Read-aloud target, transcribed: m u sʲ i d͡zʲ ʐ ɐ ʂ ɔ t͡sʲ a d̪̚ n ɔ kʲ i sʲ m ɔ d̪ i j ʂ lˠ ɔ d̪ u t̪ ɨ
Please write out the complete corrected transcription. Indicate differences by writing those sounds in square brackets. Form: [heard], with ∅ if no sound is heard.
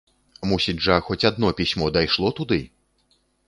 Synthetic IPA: m u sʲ i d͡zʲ ʐ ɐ [x] ɔ t͡sʲ a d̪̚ n ɔ [pʲ] i sʲ m ɔ d̪ [a] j ʂ lˠ ɔ [t̪] u [d̪] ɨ